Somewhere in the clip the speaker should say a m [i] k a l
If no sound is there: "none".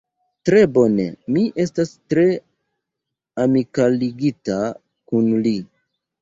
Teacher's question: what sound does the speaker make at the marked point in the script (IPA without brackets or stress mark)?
i